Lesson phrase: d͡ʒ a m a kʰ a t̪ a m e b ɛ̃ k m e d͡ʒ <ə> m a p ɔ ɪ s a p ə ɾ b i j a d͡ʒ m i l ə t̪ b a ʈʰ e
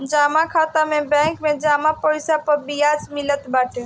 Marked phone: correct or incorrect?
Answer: incorrect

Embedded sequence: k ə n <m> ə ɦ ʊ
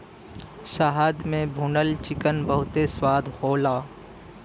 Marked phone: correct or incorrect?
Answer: incorrect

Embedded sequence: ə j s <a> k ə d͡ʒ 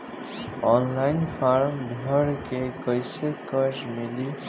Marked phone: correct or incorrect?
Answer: incorrect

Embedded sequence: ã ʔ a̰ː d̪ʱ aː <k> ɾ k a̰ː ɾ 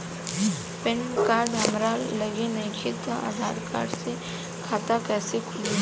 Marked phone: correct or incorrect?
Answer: incorrect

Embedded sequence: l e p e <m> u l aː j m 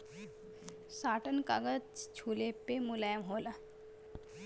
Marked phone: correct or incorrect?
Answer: correct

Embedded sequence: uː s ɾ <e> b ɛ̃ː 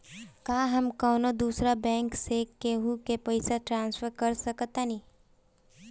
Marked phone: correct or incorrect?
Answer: incorrect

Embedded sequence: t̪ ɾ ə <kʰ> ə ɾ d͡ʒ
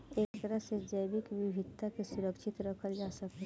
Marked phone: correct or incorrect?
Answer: correct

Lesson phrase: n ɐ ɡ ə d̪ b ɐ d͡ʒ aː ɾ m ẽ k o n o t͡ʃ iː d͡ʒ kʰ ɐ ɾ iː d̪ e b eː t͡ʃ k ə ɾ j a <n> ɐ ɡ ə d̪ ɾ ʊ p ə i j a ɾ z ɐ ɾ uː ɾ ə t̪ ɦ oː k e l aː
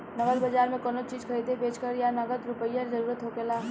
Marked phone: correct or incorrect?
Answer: correct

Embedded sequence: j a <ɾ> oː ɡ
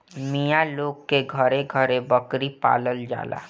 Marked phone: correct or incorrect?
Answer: incorrect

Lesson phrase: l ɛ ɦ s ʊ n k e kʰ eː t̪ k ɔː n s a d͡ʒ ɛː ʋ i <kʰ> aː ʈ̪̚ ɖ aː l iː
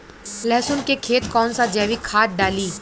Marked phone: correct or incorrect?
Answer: correct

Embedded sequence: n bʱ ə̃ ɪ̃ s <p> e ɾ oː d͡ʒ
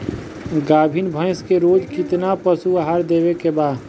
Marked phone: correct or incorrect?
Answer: incorrect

